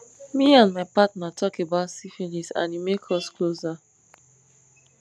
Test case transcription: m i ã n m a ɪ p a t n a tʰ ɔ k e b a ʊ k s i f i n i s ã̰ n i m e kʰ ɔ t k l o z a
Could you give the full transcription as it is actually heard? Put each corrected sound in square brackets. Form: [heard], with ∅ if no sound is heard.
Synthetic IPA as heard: m i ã n m a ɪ p a t n a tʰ ɔ k e b a ʊ [t] s i f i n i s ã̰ n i m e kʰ ɔ [s] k l o z a